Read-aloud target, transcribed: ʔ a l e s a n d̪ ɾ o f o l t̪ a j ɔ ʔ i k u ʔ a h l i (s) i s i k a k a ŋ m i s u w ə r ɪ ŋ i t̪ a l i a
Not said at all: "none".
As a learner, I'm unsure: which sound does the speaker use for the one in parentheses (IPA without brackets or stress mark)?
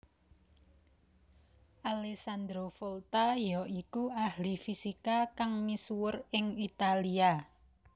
f